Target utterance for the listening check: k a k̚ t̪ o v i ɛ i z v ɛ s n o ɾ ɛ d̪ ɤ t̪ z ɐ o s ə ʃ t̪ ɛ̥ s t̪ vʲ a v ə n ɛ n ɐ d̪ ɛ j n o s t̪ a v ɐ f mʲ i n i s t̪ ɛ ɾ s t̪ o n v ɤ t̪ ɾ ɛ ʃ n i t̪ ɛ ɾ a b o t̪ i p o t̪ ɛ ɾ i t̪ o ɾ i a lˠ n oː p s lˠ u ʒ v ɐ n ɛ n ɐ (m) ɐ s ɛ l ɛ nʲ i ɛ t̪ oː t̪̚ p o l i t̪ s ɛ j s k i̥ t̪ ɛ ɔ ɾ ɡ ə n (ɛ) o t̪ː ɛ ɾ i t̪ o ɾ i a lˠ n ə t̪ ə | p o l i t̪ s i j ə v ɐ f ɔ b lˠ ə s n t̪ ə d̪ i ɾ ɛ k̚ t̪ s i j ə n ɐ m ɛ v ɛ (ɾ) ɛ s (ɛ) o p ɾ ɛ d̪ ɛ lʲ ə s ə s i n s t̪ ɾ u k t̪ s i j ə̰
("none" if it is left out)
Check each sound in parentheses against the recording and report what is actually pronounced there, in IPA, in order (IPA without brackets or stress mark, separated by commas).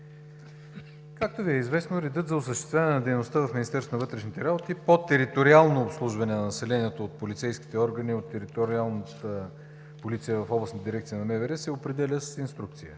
n, i, ɾ, ɛ